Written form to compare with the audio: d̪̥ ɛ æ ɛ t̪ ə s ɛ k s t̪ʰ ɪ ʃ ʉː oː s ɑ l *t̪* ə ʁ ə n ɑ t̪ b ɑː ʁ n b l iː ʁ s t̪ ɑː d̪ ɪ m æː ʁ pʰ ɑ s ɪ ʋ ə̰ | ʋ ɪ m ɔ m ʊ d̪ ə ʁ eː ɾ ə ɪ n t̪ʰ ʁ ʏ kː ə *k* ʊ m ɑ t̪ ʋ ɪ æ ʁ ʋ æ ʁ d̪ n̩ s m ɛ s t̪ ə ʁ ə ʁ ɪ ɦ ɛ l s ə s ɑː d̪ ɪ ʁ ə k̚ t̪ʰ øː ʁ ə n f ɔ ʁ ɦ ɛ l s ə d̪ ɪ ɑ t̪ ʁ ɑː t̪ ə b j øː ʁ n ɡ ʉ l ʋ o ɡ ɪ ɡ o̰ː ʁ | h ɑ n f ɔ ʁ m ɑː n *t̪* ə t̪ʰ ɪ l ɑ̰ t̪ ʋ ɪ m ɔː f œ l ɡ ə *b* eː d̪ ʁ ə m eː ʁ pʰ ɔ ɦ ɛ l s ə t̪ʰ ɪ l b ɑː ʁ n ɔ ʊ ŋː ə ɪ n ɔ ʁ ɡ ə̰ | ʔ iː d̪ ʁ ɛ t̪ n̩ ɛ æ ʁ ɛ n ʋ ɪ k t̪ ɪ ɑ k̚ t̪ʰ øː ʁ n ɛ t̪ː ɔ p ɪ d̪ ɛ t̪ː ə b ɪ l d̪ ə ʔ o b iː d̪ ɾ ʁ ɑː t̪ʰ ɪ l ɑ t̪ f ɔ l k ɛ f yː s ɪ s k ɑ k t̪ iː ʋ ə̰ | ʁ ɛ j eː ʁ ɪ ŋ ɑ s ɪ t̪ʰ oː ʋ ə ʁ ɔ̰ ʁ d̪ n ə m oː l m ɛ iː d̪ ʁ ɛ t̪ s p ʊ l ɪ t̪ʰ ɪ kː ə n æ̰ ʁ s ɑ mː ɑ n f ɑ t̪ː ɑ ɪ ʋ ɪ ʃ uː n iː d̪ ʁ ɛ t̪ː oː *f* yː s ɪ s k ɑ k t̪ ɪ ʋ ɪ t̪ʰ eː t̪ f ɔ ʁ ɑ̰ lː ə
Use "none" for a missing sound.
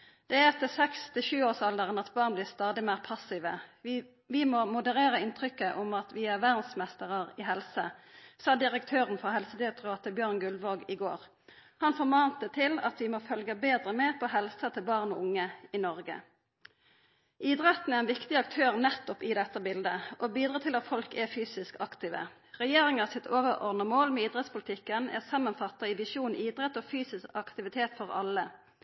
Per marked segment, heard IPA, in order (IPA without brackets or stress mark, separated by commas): d̪, ʔ, t̪, b, f